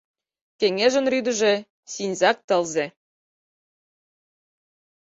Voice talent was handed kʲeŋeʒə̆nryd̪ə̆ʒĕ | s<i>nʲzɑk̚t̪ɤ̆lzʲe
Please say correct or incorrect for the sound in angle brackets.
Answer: correct